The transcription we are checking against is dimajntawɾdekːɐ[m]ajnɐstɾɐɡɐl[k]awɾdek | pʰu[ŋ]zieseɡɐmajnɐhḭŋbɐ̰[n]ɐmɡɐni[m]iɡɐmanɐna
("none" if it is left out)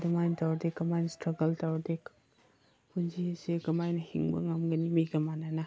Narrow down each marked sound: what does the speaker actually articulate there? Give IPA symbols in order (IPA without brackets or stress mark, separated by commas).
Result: m, t, n, ŋ, m